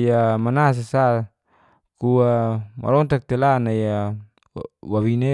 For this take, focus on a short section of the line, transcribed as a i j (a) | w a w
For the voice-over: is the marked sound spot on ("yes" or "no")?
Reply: yes